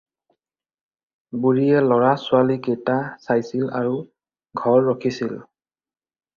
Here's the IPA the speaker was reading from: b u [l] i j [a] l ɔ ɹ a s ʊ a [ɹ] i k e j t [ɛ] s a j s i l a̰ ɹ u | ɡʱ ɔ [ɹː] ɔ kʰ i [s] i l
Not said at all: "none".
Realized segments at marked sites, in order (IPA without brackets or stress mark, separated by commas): ɹ, ɛ, l, a, ɹː, s